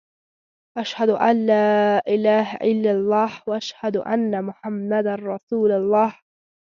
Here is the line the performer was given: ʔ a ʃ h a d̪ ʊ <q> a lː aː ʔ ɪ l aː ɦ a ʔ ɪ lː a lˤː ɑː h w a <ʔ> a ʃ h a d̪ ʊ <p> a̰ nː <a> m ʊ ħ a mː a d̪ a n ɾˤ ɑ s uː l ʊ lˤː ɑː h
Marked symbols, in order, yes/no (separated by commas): no, yes, no, yes